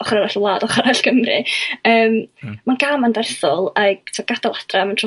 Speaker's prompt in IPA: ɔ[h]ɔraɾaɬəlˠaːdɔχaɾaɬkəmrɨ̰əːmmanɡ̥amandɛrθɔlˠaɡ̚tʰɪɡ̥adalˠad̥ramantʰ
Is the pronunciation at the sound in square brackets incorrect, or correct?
incorrect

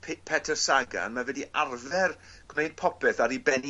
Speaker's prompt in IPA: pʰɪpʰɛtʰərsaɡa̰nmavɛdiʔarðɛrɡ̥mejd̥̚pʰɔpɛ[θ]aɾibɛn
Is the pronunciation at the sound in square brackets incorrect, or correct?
correct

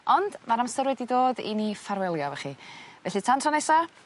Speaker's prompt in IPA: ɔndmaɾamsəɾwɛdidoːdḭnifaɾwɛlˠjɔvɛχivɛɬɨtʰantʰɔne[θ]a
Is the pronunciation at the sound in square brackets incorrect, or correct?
incorrect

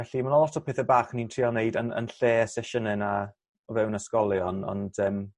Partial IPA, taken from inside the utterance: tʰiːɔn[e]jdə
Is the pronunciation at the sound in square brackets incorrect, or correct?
correct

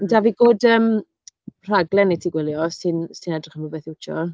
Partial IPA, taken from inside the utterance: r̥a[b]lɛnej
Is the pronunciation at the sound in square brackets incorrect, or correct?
incorrect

